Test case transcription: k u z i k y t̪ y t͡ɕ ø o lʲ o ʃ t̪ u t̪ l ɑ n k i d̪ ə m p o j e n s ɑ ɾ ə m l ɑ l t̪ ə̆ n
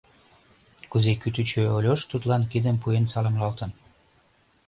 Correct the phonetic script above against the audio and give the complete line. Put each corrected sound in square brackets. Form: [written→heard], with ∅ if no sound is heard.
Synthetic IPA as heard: k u z [i→e] k y t̪ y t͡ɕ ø o lʲ o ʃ t̪ u t̪ l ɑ n k i d̪ ə m p [o→u] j e n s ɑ [ɾ→l] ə m l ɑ l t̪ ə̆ n